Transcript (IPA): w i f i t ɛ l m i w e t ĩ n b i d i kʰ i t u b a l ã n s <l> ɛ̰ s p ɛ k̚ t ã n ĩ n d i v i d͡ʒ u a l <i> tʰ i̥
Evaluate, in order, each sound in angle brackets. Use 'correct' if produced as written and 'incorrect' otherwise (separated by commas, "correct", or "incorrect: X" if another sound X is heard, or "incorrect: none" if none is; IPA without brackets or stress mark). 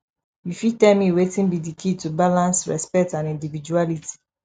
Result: incorrect: ɹ, correct